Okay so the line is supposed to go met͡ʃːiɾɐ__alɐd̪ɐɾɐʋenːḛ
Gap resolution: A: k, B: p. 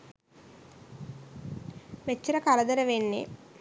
A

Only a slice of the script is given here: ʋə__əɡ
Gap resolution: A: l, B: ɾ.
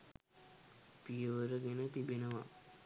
B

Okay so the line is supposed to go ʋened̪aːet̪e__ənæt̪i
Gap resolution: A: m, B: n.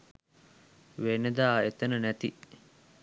B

